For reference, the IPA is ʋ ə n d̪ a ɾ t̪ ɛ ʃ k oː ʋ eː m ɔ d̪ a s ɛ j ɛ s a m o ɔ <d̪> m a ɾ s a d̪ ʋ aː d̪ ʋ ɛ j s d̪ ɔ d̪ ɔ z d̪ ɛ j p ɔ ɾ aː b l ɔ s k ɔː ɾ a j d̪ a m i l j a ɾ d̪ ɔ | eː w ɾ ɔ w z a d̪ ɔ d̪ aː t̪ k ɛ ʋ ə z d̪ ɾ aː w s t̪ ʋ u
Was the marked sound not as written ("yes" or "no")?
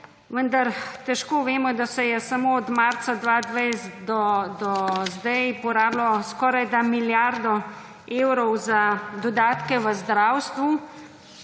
no